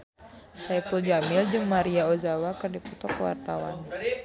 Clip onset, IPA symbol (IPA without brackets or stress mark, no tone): s